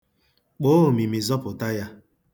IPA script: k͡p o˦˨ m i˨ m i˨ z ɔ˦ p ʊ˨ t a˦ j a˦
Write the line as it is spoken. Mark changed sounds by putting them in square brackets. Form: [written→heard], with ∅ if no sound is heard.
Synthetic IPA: k͡p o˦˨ m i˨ m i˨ z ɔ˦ p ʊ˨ t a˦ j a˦